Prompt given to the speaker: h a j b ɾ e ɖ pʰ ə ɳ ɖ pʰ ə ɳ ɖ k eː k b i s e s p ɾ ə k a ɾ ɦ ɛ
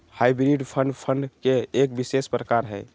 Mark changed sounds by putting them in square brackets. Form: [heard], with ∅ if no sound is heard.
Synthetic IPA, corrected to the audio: h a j b ɾ [i] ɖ pʰ ə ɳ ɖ pʰ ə ɳ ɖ k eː k b i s e s p ɾ ə k a ɾ ɦ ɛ